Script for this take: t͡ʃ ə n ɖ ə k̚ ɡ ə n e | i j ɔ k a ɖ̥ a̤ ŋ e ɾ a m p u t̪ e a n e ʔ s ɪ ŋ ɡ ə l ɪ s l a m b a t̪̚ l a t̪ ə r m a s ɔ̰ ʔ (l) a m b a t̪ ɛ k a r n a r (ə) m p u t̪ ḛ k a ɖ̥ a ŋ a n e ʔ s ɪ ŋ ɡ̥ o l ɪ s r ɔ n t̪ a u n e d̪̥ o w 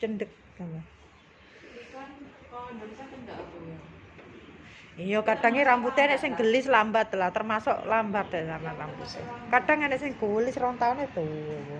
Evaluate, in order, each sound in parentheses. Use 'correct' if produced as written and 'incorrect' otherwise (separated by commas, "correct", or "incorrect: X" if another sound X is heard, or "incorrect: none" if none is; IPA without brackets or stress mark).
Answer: correct, incorrect: a